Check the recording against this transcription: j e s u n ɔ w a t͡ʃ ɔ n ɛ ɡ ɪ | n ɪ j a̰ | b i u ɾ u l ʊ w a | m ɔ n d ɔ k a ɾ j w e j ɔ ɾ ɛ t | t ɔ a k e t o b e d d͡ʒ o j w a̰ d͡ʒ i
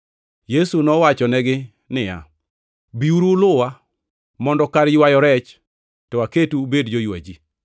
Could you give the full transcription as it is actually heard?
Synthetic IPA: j e s u n ɔ w a t͡ʃ ɔ n ɛ ɡ ɪ | n ɪ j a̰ | b i u ɾ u l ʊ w a | m ɔ n d ɔ k a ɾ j w a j ɔ ɾ ɛ t͡ʃ | t ɔ a k e t u b e d d͡ʒ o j w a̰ d͡ʒ i